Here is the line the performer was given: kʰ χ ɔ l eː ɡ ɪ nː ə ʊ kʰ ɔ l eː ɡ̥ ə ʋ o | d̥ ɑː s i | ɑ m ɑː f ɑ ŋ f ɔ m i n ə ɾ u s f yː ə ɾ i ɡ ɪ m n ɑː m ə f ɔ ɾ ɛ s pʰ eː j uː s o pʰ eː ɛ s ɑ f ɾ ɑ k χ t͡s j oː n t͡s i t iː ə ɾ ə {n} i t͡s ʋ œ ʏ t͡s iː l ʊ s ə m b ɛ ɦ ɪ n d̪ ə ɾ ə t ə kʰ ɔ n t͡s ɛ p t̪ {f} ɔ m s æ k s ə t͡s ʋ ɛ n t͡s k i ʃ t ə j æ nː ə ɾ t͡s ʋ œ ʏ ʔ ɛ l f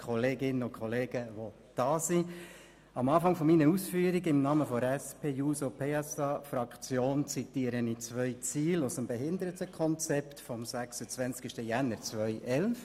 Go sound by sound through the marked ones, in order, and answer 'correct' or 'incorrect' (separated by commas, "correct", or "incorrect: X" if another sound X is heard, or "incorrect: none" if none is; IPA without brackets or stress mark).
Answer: correct, correct